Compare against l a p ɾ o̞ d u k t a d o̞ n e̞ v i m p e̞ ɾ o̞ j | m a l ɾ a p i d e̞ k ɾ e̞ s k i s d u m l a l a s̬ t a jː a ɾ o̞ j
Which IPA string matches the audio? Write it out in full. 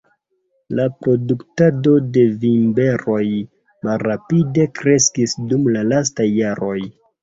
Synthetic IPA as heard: l a p ɾ o̞ d u k t a d o̞ d e̞ v i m b e̞ ɾ o̞ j | m a l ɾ a p i d e̞ k ɾ e̞ s k i s d u m l a l a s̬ t a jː a ɾ o̞ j